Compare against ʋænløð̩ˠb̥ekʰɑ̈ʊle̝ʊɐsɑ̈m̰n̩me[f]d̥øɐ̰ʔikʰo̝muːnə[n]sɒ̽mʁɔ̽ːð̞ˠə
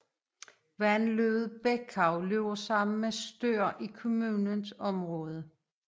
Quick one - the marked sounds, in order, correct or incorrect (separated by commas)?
incorrect, correct